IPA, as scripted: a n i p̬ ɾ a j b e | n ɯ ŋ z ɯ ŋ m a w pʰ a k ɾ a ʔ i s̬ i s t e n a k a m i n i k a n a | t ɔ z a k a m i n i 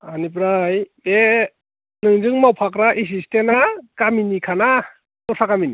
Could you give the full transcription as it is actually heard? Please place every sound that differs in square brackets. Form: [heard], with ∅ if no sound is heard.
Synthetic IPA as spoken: a n i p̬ ɾ a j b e | n ɯ ŋ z ɯ ŋ m a w pʰ a k ɾ a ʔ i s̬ i s t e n a k a m i n i [kʰ] a n a | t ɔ [s] a k a m i n i